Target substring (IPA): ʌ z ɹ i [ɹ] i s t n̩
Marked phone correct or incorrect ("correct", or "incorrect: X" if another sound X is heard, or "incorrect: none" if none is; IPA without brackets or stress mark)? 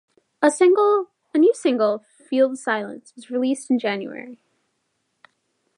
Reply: incorrect: l